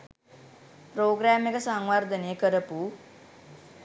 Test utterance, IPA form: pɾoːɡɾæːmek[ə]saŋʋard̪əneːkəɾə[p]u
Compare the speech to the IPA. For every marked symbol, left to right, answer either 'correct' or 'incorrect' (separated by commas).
correct, correct